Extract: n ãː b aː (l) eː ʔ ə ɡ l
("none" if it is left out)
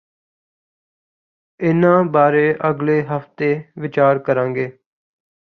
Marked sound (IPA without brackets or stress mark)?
ɾ